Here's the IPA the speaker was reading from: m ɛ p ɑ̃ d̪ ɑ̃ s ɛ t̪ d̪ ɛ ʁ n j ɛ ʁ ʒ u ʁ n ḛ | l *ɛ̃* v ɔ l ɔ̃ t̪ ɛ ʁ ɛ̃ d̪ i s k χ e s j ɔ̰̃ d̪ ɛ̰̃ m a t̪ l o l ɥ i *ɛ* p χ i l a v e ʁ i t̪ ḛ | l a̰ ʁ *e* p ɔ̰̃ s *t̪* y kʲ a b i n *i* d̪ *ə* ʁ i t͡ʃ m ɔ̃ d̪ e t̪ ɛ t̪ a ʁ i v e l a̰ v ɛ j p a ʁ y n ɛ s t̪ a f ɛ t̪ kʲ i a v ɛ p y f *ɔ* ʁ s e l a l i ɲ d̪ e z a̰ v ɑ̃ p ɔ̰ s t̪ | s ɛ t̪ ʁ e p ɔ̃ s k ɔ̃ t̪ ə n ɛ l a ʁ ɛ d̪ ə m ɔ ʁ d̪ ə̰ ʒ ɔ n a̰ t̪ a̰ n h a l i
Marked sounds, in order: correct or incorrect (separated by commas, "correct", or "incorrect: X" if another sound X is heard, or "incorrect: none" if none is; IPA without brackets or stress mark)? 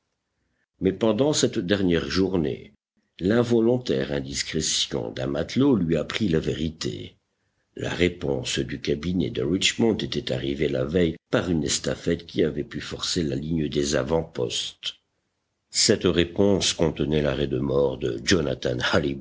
correct, incorrect: a, correct, incorrect: d̪, incorrect: ɛ, correct, correct